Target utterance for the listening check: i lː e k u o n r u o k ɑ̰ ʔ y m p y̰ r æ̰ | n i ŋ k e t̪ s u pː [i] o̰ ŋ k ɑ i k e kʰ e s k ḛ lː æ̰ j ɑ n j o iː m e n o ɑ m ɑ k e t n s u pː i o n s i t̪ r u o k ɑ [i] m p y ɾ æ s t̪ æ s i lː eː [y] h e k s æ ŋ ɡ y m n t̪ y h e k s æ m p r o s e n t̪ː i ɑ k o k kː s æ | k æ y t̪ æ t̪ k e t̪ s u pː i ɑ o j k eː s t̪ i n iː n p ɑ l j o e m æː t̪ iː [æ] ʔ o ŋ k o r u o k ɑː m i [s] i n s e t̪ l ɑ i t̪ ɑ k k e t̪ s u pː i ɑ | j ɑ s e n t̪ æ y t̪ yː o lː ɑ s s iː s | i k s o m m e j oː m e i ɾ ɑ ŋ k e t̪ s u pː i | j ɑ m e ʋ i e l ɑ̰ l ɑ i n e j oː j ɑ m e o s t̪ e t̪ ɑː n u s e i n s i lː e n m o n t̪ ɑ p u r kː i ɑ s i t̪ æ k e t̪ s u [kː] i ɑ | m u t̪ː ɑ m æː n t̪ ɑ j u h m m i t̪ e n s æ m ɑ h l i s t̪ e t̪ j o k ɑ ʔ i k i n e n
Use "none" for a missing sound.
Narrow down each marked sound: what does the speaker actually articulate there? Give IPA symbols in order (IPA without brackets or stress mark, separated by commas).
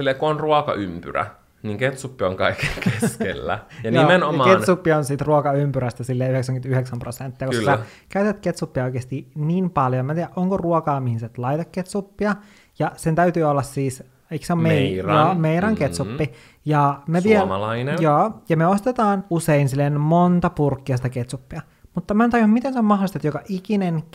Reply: i, y, y, æ, h, pː